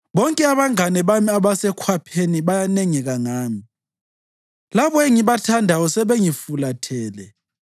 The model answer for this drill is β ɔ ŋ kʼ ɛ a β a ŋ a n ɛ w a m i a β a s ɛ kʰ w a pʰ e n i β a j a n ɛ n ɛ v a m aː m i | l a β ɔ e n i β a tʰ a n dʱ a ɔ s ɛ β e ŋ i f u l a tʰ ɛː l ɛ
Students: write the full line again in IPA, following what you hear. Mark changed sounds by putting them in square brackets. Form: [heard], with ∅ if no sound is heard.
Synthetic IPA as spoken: β ɔ ŋ kʼ ɛ a β a ŋ a n ɛ [β] a m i a β a s ɛ kʰ w a pʰ e n i β a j a n ɛ [ŋ] ɛ [ɣ] a [ŋ] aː m i | l a β ɔ e [ŋ] i β a tʰ a n dʱ a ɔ s ɛ β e ŋ i f u l a tʰ ɛː l ɛ